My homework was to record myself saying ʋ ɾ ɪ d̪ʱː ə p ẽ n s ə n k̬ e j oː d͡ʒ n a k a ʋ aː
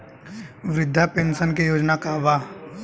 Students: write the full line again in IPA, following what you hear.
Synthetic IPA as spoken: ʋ ɾ ɪ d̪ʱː a p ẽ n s ə n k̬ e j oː d͡ʒ n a k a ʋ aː